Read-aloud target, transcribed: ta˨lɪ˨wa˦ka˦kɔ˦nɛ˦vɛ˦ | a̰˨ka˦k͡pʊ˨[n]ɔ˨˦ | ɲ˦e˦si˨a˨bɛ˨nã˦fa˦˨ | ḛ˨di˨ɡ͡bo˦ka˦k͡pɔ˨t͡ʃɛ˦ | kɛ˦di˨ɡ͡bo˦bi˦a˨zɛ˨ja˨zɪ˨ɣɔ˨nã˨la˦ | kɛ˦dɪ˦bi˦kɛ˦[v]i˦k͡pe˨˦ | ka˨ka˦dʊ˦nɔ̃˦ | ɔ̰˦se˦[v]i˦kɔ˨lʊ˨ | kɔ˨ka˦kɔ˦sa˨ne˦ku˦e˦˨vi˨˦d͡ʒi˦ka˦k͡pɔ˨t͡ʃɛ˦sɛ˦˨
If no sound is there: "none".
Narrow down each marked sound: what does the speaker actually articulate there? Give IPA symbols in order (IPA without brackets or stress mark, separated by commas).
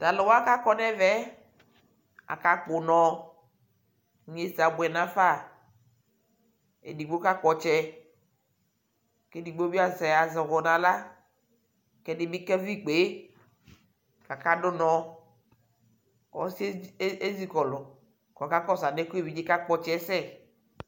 n, v, z